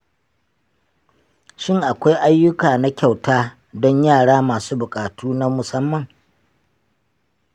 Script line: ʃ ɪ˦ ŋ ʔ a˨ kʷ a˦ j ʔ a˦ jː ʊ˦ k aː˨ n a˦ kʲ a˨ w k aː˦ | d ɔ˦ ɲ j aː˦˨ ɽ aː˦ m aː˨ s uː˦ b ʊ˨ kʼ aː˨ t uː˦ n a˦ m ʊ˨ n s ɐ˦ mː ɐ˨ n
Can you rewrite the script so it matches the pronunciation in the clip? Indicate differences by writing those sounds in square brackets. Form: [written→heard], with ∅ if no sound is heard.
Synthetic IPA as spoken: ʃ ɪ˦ ŋ ʔ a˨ kʷ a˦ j ʔ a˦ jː ʊ˦ k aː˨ n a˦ kʲ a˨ w [k→t] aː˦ | d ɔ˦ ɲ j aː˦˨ ɽ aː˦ m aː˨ s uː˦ b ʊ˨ kʼ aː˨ t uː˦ n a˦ m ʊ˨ [n→∅] s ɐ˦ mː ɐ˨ [n→ŋ]